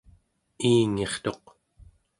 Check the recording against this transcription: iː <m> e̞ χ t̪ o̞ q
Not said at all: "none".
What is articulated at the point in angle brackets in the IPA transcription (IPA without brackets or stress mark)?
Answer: ŋ